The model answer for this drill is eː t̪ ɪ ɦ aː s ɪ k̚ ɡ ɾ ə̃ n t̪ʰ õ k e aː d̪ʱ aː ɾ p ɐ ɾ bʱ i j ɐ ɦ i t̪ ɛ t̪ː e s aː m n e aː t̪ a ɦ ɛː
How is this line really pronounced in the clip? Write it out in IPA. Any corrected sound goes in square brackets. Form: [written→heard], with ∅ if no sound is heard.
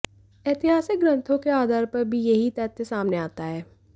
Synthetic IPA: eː t̪ ɪ ɦ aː s ɪ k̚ ɡ ɾ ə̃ n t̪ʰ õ k e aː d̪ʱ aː ɾ p ɐ ɾ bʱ i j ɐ ɦ i t̪ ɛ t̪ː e s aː m n e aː t̪ a ɦ ɛː